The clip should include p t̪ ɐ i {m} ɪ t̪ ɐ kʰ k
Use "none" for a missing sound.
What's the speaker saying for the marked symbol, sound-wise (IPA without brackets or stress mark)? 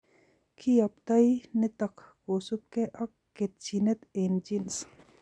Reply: n